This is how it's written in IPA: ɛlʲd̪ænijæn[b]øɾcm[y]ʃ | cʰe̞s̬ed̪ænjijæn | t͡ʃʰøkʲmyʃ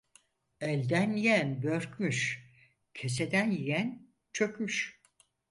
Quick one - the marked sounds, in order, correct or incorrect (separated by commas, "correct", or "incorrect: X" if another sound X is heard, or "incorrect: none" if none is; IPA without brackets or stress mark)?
correct, correct